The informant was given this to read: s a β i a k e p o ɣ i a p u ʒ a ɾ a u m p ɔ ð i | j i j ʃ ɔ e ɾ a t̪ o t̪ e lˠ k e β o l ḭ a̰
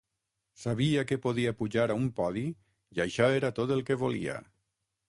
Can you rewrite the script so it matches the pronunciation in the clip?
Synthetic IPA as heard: s a β i a k e p o ð i a p u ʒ a ɾ a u m p ɔ ð i | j a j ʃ ɔ e ɾ a t̪ o t̪ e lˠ k e β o l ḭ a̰